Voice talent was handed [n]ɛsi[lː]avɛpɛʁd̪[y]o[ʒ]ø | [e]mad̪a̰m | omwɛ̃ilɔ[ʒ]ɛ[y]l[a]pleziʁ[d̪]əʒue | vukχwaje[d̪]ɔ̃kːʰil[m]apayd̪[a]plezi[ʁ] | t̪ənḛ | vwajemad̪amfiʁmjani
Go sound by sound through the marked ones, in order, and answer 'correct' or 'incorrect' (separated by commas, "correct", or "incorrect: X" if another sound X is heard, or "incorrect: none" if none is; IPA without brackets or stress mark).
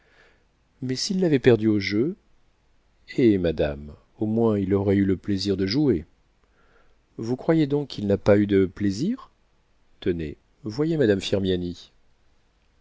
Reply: incorrect: m, correct, correct, correct, correct, incorrect: ʁ, correct, incorrect: ə, correct, correct, incorrect: n, incorrect: ə, correct